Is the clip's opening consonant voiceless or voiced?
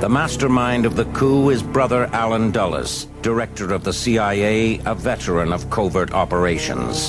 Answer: voiced